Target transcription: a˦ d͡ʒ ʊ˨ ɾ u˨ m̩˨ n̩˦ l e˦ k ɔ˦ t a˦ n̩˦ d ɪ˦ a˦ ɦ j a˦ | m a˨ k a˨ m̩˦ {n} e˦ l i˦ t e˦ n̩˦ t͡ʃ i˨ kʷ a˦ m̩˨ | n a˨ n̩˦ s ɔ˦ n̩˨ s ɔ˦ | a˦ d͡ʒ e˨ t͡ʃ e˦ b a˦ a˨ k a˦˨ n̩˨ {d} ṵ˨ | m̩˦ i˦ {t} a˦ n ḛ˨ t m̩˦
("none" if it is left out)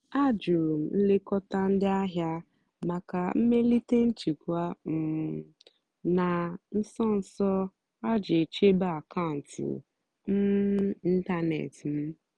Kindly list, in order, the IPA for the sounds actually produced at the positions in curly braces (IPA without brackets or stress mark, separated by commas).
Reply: m, t, t